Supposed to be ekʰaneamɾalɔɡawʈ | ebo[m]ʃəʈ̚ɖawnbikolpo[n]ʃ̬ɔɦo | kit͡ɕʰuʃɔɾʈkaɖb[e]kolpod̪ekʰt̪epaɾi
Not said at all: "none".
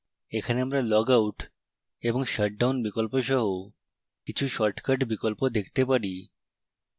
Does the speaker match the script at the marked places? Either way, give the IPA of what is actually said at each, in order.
ŋ, none, i

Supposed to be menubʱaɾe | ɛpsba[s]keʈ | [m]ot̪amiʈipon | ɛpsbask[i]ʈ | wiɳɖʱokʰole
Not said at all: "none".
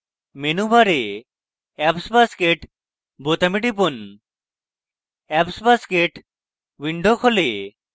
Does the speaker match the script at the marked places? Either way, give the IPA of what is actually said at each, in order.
s, b, e

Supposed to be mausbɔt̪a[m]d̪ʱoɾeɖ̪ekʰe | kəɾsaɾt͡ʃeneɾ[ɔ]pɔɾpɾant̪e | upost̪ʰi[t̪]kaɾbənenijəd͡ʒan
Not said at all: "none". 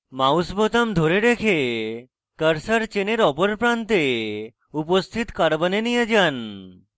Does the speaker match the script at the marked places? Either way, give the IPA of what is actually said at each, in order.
m, ɔ, t̪

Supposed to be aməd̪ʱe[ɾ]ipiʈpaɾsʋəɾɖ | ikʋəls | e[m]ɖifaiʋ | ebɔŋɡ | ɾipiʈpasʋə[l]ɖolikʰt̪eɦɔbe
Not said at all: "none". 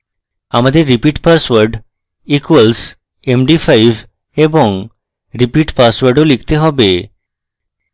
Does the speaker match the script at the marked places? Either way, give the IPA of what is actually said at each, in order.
ɾ, m, ɾ

